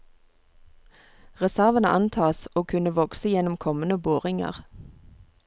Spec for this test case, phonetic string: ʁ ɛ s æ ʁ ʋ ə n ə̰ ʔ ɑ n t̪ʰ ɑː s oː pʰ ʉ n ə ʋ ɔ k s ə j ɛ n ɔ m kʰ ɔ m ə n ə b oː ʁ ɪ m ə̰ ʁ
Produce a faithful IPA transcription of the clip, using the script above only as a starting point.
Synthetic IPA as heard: ʁ ɛ s æ ʁ ʋ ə n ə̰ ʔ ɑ n t̪ʰ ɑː s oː kʰ ʉ n ə ʋ ɔ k s ə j ɛ n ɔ m kʰ ɔ m ə n ə b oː ʁ ɪ ŋ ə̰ ʁ